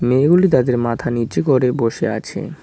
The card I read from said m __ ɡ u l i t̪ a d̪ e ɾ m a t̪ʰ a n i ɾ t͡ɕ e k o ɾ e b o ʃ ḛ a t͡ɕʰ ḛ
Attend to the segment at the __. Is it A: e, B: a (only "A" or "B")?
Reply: A